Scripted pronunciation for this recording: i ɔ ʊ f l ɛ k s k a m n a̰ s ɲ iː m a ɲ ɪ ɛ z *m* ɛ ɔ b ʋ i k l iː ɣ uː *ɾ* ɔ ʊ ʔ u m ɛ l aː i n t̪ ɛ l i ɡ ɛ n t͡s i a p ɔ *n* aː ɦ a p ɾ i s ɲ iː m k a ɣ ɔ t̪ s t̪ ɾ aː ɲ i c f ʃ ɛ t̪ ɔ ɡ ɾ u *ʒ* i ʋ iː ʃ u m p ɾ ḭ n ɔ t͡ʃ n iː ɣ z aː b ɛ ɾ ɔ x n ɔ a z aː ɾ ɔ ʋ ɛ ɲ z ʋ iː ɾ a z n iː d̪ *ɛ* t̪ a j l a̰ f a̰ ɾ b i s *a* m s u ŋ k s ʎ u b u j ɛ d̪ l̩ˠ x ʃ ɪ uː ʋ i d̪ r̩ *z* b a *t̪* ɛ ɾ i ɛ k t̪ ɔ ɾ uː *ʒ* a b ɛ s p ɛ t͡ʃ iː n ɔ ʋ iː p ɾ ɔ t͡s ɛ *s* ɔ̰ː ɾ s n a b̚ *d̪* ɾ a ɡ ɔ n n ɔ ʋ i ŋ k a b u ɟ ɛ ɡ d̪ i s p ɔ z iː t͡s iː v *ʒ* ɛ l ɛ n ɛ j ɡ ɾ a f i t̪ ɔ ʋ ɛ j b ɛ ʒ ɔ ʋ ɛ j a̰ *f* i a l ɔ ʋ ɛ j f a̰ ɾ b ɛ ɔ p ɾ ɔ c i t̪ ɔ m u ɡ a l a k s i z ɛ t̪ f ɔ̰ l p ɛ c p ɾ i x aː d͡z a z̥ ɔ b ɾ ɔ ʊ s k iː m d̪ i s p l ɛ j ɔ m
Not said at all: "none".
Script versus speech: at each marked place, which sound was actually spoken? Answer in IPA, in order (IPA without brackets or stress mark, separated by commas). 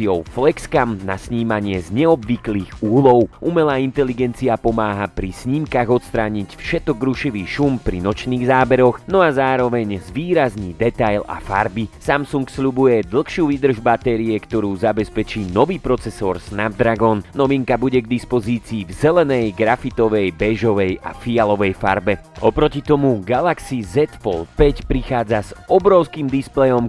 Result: ɲ, l, m, ʃ, ɛ, a, ʒ, t̪, z, s, d̪, z, f